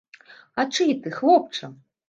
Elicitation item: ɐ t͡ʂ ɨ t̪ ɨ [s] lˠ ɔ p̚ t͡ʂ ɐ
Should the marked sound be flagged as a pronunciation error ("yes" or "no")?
yes